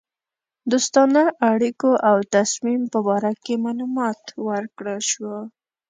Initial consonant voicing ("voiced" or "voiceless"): voiced